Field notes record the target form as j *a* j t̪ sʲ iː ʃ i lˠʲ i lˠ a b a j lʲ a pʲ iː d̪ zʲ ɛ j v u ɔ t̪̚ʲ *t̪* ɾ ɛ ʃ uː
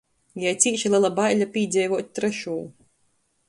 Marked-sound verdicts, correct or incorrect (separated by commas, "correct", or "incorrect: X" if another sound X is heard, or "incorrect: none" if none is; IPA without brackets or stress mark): correct, correct